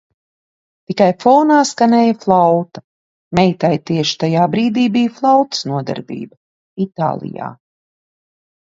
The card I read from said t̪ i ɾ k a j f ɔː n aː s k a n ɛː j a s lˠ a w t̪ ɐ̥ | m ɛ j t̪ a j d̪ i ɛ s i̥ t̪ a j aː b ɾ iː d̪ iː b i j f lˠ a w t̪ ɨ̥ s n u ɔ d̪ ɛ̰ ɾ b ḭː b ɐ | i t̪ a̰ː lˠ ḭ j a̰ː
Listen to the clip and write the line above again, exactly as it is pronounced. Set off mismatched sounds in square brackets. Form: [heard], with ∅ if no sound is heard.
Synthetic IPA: t̪ i [∅] k a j f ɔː n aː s k a n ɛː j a [f] lˠ a w t̪ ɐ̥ | m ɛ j t̪ a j [t̪] i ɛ [ʃ] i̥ t̪ a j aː b ɾ iː d̪ iː b i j f lˠ a w t̪ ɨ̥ s n u ɔ d̪ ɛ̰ ɾ b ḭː b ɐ | i t̪ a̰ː lˠ ḭ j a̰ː